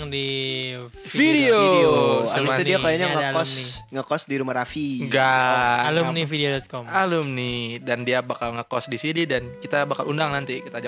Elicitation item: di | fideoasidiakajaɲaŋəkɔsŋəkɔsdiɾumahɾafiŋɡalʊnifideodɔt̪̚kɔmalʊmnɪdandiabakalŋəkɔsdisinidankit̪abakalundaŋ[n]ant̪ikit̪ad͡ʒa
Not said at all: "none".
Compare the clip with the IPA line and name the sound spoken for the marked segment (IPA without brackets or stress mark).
n